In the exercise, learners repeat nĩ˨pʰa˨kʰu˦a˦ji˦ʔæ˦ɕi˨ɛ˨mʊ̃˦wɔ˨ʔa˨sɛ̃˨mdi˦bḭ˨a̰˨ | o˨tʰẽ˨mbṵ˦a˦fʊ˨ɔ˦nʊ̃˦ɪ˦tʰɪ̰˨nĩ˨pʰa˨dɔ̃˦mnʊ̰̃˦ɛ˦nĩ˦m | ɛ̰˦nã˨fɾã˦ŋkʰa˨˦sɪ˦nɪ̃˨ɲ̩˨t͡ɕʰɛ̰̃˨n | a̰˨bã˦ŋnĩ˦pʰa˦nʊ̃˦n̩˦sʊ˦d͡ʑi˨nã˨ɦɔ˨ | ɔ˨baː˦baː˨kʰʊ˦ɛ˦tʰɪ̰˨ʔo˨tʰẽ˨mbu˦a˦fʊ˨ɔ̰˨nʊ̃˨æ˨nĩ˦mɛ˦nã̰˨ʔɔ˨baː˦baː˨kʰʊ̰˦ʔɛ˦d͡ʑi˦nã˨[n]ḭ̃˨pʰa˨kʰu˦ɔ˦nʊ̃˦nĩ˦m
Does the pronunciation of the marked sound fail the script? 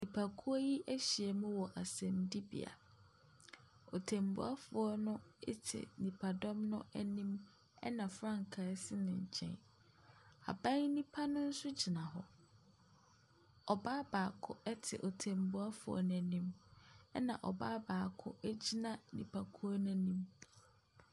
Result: no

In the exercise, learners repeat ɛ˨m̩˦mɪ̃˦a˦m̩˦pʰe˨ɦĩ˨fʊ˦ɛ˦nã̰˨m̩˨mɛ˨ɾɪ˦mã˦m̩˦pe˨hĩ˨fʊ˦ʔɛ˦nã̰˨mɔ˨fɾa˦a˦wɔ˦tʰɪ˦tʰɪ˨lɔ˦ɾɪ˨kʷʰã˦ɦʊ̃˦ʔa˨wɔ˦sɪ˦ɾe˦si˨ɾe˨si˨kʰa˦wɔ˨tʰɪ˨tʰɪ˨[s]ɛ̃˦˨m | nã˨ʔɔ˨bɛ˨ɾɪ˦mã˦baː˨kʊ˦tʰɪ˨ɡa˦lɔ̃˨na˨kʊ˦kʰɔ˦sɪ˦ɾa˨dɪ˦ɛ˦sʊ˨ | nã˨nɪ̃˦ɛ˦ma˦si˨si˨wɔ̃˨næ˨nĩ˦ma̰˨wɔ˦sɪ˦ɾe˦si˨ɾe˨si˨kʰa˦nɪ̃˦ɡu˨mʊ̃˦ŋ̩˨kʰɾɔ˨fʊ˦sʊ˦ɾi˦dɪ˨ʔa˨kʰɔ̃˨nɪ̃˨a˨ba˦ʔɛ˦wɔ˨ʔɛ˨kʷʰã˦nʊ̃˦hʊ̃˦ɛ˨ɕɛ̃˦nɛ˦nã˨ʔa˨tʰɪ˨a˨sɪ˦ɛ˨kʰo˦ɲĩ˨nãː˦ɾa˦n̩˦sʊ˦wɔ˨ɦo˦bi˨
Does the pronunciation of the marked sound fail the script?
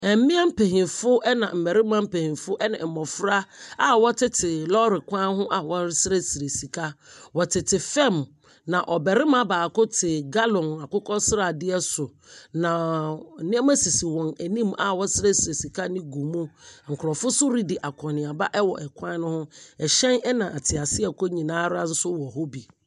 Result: yes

